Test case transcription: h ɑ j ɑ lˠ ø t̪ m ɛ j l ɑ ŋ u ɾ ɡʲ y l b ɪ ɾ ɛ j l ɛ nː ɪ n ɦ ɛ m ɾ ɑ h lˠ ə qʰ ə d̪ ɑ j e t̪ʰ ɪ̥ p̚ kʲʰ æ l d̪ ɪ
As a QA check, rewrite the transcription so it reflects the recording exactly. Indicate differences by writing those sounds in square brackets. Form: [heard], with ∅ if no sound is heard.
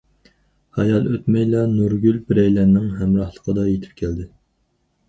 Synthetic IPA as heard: h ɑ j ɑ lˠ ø t̪ m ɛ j l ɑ [n] u ɾ ɡʲ y l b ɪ ɾ ɛ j l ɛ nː ɪ [ŋ] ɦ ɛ m ɾ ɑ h lˠ ə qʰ ə d̪ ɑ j e t̪ʰ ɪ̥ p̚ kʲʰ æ l d̪ ɪ